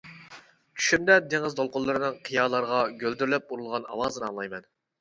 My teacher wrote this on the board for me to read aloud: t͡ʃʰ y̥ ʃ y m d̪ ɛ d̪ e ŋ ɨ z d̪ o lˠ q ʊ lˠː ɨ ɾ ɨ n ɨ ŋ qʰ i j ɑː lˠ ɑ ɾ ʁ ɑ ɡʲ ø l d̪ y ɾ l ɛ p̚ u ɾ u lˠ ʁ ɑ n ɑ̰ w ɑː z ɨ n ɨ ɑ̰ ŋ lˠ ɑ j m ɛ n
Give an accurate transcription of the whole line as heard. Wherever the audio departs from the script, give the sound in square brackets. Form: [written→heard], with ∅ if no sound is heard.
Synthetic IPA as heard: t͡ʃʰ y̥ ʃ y m d̪ ɛ d̪ e ŋ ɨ z d̪ o lˠ q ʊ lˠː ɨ ɾ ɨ n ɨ ŋ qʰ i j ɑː lˠ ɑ ɾ ʁ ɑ ɡʲ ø l d̪ y ɾ l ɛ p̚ u ɾ u lˠ ʁ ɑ n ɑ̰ w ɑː z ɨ n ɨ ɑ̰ ŋ lˠ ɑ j m ɛ n